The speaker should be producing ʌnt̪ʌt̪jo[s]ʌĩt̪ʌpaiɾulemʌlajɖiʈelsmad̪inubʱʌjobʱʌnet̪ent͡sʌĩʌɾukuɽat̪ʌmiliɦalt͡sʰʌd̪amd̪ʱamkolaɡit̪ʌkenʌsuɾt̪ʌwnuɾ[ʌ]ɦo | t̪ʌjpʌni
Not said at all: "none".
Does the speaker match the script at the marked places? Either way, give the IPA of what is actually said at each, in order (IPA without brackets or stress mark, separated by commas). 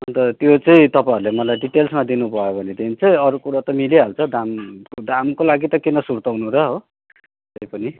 t͡s, ʌ